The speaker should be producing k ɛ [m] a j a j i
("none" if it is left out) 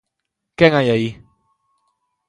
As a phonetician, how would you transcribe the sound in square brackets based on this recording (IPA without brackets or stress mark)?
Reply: ŋ